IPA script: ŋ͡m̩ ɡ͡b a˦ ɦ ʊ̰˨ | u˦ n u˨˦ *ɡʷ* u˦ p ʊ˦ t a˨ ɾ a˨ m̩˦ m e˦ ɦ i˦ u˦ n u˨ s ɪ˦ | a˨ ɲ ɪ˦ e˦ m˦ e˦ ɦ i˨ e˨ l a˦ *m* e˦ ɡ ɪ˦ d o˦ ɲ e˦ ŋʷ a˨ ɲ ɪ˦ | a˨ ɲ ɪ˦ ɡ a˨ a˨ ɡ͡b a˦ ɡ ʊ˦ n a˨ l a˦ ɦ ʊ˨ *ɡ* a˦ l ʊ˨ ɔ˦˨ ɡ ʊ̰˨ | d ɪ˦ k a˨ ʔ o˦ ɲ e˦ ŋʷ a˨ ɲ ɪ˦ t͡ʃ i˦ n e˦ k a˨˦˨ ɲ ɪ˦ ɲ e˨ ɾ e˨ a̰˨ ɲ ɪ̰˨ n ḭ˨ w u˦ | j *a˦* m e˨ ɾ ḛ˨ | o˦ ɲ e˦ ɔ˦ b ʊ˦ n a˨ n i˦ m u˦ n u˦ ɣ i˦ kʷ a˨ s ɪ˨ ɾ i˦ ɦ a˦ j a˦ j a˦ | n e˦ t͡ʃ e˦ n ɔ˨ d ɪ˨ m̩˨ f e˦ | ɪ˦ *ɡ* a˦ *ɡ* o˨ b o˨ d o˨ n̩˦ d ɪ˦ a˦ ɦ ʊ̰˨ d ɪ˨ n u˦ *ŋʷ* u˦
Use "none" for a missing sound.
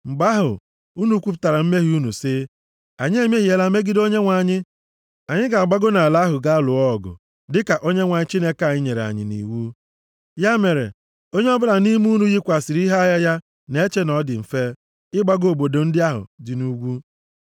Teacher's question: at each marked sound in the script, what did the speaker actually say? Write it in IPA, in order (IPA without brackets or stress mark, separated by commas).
kʷ, m, ɡ, a˦, ɡ͡b, ɡ, ɡʷ